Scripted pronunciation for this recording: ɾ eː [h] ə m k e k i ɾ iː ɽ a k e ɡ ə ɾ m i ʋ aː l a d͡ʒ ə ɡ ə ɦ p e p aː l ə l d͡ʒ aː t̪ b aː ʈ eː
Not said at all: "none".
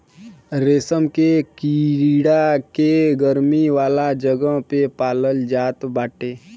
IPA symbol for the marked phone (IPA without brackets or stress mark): s